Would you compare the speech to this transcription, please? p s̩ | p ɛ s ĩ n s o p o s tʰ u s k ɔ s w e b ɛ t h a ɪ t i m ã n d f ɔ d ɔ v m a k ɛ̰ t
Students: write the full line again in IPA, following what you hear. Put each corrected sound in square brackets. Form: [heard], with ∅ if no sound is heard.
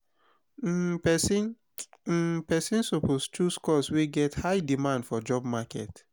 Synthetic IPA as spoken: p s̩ | p ɛ s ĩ n s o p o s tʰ u s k ɔ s w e [ɡ] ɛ t h a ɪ [d] i m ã n d f ɔ [d͡ʒ] ɔ [b] m a k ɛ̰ t